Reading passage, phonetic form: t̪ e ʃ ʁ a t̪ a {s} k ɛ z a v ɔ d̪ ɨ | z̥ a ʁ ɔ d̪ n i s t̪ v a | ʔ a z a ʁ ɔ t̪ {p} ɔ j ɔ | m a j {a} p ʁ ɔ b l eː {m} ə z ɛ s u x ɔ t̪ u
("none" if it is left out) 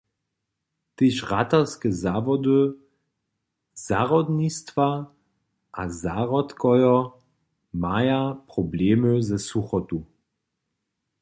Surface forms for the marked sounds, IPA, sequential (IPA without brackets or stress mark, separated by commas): s, k, a, m